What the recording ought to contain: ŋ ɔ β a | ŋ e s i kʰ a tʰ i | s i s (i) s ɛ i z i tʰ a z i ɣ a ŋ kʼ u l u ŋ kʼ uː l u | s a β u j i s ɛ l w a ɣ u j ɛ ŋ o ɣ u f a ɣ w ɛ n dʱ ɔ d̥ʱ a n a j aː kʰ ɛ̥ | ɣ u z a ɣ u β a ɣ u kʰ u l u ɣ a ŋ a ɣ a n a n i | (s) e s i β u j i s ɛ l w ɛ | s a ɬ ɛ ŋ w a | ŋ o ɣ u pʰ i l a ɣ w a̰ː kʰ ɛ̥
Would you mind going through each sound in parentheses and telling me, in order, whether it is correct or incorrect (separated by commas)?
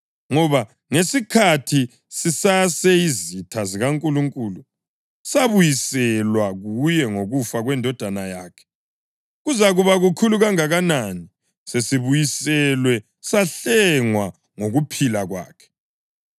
incorrect, correct